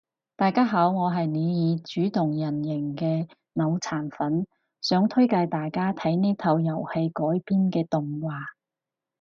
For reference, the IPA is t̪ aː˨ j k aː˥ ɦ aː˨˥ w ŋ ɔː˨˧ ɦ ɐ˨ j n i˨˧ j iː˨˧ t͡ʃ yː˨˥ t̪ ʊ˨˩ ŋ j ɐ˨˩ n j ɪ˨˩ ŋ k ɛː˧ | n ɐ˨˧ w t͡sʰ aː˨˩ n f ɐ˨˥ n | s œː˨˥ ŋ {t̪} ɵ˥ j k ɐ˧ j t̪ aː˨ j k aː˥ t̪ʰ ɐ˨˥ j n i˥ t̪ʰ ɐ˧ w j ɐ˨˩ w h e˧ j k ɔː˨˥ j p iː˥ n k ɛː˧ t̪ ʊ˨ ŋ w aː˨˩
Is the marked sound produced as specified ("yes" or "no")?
no